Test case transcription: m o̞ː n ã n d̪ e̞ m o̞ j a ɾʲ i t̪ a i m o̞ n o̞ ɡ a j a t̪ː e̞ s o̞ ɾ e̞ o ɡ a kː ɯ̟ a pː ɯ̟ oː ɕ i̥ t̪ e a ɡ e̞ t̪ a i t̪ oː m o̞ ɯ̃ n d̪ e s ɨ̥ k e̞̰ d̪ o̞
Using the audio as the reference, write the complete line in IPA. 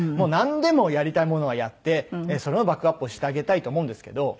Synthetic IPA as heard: m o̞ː n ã n d̪ e̞ m o̞ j a ɾʲ i t̪ a i m o̞ n o̞ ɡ a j a t̪ː e̞ s o̞ ɾ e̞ o b a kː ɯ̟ a pː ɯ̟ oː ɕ i̥ t̪ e a ɡ e̞ t̪ a i t̪ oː m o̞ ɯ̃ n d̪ e s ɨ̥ k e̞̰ d̪ o̞